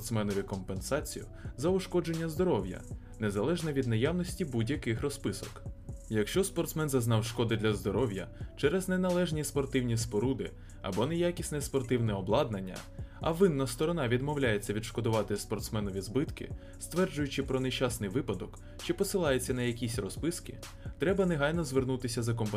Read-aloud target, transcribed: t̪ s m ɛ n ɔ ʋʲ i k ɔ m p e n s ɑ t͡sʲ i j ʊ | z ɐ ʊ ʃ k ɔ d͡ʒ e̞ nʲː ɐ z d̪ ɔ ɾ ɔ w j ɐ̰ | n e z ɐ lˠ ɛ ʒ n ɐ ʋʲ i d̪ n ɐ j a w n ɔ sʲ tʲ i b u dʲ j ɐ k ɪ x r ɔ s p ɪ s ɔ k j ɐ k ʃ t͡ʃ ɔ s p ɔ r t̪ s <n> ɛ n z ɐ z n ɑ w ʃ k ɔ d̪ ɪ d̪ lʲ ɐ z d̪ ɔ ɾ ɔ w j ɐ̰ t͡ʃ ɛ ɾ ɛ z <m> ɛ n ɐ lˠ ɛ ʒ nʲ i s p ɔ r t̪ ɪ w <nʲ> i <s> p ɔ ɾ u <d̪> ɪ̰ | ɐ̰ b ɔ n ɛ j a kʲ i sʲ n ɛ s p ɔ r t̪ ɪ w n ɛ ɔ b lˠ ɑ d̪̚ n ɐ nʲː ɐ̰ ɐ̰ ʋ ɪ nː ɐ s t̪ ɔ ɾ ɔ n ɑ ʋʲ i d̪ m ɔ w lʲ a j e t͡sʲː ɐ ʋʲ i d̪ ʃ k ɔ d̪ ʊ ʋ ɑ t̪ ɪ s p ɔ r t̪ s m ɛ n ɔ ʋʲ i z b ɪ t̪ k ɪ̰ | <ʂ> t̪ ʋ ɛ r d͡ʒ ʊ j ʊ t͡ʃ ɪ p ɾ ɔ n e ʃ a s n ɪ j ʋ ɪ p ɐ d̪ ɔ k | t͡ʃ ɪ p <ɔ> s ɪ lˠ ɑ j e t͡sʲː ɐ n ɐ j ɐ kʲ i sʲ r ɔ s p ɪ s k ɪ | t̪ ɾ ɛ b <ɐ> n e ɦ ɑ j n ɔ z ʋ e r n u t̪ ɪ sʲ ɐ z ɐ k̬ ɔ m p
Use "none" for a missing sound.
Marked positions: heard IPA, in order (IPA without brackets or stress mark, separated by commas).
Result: m, n, nʲ, s, d̪, s, ɔ, ɐ